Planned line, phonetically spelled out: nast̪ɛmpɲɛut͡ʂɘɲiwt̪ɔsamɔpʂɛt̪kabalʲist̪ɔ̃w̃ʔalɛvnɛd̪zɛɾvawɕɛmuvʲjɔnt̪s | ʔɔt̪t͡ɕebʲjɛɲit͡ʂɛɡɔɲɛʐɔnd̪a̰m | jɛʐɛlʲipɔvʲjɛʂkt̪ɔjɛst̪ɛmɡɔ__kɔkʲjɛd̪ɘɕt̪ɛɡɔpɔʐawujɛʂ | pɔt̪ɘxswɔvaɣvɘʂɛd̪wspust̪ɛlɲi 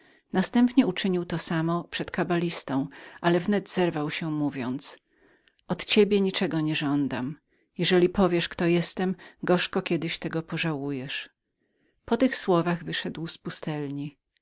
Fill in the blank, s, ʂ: ʂ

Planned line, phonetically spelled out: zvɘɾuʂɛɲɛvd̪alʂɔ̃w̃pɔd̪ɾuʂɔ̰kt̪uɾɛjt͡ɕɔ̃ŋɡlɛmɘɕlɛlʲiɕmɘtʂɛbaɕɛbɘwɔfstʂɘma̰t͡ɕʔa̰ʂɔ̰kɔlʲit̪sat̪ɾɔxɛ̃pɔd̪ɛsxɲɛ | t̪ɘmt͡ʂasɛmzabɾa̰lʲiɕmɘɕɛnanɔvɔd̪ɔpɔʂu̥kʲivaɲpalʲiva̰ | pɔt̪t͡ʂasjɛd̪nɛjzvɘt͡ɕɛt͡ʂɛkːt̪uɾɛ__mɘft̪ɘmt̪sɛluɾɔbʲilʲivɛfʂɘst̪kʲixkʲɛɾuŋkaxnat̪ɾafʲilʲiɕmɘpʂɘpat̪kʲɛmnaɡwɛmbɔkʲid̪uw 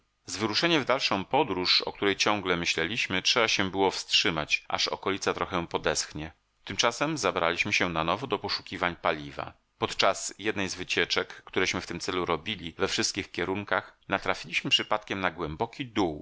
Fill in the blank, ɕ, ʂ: ɕ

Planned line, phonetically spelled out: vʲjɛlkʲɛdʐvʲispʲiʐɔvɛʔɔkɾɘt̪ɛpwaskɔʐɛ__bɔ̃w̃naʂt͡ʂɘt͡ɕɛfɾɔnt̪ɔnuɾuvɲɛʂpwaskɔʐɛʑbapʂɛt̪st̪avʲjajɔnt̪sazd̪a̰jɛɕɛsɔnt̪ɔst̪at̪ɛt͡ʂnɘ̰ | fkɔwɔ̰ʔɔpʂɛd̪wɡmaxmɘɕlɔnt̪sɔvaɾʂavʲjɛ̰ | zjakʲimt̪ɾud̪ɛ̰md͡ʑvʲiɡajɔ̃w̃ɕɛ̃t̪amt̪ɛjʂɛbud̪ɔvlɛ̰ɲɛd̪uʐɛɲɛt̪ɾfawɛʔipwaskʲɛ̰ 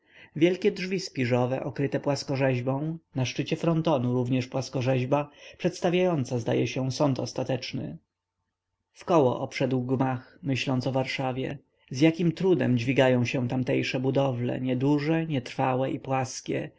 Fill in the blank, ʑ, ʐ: ʑ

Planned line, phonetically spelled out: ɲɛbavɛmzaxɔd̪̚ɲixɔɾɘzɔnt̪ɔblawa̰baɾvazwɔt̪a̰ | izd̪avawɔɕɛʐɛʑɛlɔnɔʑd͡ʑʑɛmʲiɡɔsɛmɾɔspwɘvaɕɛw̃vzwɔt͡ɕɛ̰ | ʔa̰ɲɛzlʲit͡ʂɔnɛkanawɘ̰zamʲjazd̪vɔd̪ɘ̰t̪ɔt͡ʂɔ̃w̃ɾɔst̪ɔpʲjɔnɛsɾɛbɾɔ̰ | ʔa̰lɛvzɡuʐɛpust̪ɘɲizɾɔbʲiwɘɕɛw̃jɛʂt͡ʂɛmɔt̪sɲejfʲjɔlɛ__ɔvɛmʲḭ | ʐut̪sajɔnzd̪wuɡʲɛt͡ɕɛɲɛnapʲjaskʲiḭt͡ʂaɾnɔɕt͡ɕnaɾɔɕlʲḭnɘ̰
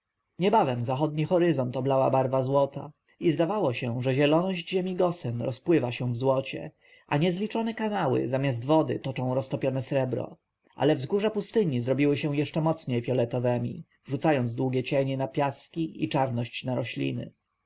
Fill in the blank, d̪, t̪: t̪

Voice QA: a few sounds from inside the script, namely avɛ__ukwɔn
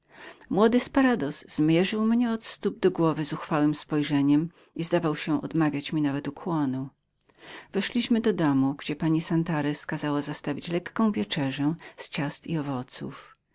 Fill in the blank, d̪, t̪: t̪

